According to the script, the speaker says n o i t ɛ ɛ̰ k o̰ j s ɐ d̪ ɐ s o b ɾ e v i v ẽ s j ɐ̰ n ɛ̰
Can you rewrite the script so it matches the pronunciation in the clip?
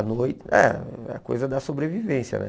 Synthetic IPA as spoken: n o j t ɛ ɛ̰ k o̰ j z ɐ d̪ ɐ s o b ɾ e v i v ẽ s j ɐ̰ n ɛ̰

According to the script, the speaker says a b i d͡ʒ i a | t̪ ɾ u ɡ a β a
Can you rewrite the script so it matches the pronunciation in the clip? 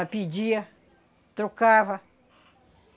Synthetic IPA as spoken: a p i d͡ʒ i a | t̪ ɾ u k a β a

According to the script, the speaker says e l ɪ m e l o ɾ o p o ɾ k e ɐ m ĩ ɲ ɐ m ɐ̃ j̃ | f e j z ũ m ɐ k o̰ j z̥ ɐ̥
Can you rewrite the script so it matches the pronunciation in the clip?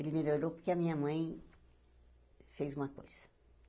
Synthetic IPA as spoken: e l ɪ m e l o ɾ o p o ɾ k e ɐ m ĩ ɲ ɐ m ɐ̃ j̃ | f e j z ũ m ɐ k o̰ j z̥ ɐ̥

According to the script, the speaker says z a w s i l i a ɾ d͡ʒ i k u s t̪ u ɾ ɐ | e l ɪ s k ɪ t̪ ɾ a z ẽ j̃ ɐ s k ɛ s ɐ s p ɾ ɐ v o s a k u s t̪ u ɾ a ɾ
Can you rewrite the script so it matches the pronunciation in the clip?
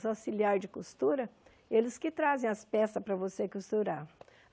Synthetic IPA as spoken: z a w s i l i a ɾ d͡ʒ ɪ k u s t̪ u ɾ ɐ | e l ɪ s k ɪ t̪ ɾ a z ẽ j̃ ɐ s p ɛ s ɐ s p ɾ ɐ v o s e k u s t̪ u ɾ a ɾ

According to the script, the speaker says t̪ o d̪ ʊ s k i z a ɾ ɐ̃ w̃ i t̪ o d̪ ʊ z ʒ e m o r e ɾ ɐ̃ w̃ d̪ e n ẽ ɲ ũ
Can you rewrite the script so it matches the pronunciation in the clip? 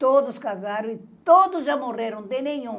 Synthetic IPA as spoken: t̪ o d̪ ʊ s k a z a ɾ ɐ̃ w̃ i t̪ o d̪ ʊ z ʒ a m o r e ɾ ɐ̃ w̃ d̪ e n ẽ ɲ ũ

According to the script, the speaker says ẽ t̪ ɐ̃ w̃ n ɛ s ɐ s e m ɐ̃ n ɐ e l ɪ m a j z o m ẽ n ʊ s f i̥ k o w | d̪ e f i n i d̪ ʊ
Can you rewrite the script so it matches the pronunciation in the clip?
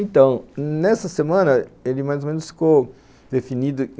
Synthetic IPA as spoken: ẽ t̪ ɐ̃ w̃ n ɛ s ɐ s e m ɐ̃ n ɐ e l ɪ m a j z o m ẽ n ʊ s f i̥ k o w | d̪ e f i n i d̪ ʊ

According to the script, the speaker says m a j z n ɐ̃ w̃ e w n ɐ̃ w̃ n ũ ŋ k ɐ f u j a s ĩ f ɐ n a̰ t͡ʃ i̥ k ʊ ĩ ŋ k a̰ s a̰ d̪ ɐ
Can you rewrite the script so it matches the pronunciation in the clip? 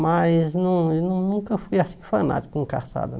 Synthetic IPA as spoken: m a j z n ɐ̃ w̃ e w n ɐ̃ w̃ n ũ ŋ k ɐ f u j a s ĩ f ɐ n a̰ t͡ʃ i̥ k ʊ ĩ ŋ k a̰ s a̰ d̪ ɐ

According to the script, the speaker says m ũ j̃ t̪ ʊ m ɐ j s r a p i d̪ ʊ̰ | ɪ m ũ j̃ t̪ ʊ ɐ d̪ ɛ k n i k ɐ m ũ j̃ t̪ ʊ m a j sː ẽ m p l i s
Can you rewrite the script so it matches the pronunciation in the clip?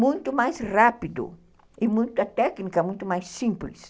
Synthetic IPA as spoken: m ũ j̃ t̪ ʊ m a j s r a p i d̪ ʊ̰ | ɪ m ũ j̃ t̪ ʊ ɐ t̪ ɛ k n i k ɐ m ũ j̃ t̪ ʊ m a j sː ĩ m p l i s

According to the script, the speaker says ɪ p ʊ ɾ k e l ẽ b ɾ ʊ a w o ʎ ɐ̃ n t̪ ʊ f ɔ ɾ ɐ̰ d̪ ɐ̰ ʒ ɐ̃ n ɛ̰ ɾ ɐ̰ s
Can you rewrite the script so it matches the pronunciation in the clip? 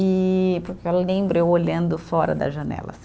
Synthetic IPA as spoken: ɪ p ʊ ɾ k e l ẽ b ɾ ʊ e w o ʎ ɐ̃ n d̪ ʊ f ɔ ɾ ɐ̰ d̪ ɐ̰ ʒ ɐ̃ n ɛ̰ l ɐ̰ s

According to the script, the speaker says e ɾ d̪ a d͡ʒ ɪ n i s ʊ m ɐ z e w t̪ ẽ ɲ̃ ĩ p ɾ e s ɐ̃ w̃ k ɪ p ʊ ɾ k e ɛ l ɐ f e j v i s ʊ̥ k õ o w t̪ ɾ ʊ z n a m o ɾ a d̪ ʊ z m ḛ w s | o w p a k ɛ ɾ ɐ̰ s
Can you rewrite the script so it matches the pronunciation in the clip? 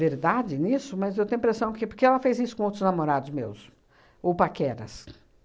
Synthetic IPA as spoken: e ɾ d̪ a d͡ʒ ɪ n i s ʊ m ɐ z e w t̪ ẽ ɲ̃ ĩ p ɾ e s ɐ̃ w̃ k ɪ p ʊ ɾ k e ɛ l ɐ f e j z i s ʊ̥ k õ o w t̪ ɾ ʊ z n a m o ɾ a d̪ ʊ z m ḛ w s | o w p a k ɛ ɾ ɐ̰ s

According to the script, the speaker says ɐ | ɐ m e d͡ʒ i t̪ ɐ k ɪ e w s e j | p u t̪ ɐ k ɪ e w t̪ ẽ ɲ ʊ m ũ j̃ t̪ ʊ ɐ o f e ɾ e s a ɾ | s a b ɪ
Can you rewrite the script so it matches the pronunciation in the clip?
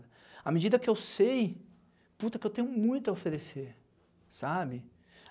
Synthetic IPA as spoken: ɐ | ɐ m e d͡ʒ i d̪ ɐ k ɪ e w s e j | p u t̪ ɐ k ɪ e w t̪ ẽ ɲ ʊ m ũ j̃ t̪ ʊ ɐ o f e ɾ e s e ɾ | s a b ɪ

